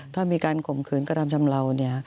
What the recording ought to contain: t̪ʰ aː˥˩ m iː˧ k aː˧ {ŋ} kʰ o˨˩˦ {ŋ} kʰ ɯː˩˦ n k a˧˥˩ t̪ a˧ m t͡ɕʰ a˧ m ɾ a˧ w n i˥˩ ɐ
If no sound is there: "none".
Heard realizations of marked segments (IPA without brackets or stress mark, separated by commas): n, m